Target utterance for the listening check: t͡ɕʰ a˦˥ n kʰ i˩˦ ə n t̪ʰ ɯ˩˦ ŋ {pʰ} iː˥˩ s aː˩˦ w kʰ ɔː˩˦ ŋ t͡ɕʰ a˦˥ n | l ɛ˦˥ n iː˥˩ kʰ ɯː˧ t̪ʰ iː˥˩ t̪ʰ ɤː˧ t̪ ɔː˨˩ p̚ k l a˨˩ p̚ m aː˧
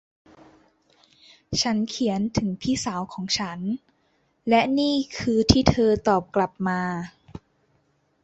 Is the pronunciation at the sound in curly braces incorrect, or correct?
correct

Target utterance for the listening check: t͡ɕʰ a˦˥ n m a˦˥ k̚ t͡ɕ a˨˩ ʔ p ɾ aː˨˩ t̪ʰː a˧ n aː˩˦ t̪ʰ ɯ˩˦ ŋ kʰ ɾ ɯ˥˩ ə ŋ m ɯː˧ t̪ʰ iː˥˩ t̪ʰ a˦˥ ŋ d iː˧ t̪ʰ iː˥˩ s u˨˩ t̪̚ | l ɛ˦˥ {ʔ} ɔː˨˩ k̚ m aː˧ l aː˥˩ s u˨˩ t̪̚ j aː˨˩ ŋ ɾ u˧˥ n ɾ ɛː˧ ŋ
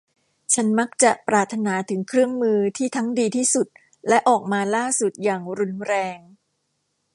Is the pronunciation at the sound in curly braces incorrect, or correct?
correct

